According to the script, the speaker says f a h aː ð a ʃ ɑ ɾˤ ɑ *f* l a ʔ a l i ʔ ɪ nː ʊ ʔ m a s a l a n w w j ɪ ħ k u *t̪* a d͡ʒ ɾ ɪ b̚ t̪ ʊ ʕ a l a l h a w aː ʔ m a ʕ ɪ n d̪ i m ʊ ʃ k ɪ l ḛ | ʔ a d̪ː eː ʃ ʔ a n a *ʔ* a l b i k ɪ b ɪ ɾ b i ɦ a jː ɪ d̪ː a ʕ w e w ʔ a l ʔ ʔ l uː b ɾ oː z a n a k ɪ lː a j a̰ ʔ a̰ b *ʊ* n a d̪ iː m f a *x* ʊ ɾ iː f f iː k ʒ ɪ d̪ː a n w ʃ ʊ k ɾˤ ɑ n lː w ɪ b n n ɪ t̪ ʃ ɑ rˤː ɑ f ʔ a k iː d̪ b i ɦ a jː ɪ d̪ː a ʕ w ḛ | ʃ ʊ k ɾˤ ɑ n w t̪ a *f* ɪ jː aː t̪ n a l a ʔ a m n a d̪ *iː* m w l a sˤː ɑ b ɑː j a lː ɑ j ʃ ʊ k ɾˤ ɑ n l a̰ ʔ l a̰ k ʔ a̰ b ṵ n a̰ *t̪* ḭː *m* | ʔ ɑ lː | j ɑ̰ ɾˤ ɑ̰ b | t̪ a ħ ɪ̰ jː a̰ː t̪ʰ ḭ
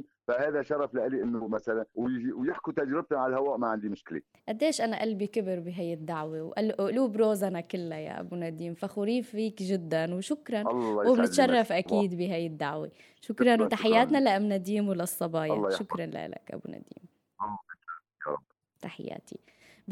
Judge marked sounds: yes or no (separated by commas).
yes, yes, yes, no, yes, no, yes, no, yes